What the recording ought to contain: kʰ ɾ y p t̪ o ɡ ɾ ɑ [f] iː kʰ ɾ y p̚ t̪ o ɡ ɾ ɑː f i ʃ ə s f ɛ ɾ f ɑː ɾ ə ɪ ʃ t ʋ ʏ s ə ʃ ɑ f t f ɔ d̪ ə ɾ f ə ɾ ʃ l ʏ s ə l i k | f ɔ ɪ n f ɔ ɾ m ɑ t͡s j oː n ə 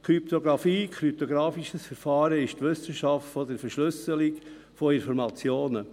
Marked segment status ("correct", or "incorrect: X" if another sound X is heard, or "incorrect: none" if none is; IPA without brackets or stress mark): correct